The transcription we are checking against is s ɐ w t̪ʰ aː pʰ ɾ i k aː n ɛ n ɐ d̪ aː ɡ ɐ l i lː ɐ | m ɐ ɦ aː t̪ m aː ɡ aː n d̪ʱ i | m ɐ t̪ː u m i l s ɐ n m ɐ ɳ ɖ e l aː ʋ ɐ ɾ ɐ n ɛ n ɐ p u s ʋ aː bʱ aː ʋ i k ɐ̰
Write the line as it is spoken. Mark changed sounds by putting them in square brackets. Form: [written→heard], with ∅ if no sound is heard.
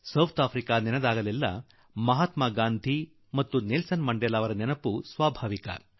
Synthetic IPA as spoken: s ɐ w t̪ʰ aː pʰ ɾ i k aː n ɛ n ɐ d̪ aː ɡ ɐ l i lː ɐ | m ɐ ɦ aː t̪ m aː ɡ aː n d̪ʱ i | m ɐ t̪ː u [m→n] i l s ɐ n m ɐ ɳ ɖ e l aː ʋ ɐ ɾ ɐ n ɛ n ɐ p u s ʋ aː bʱ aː ʋ i k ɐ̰